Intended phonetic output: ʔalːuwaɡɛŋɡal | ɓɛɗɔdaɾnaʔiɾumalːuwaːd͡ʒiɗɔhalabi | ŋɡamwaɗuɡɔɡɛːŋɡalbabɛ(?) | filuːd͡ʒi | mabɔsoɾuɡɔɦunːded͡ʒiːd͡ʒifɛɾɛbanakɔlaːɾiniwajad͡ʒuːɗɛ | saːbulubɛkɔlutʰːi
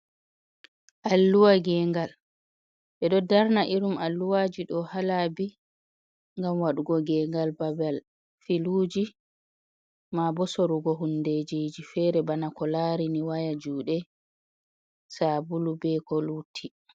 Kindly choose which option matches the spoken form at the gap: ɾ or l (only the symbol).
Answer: l